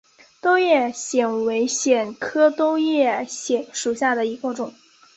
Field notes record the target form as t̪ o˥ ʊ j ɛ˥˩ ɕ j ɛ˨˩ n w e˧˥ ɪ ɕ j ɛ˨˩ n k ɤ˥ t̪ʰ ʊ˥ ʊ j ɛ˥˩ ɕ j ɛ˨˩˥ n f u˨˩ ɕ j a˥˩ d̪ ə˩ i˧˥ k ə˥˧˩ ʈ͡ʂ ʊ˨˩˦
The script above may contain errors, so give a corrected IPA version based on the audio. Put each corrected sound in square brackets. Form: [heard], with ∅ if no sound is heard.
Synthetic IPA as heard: t̪ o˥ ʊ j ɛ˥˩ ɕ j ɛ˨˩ n w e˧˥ ɪ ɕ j ɛ˨˩ n [kʰ] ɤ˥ [t̪] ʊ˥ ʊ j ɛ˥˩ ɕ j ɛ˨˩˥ n [ʂ] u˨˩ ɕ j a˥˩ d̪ ə˩ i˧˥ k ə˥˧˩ ʈ͡ʂ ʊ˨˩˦